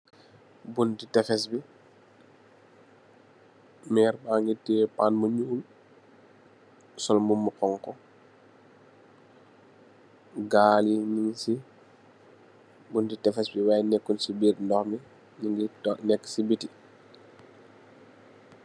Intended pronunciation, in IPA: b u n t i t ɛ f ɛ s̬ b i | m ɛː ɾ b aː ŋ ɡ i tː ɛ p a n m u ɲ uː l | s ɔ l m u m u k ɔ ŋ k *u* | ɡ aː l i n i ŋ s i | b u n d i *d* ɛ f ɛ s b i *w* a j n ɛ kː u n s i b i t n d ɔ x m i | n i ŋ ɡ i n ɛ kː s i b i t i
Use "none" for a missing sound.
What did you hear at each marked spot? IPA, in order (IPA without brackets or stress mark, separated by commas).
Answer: ɔ, t, w